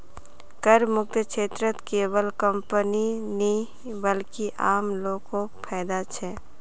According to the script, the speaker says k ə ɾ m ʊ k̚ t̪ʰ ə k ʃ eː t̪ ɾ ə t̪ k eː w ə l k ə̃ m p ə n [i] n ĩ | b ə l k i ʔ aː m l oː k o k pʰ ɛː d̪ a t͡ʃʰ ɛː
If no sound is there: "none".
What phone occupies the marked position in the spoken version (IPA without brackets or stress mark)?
i